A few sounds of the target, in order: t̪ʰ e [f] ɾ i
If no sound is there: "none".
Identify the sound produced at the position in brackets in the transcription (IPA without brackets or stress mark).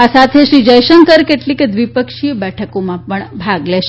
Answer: ʃ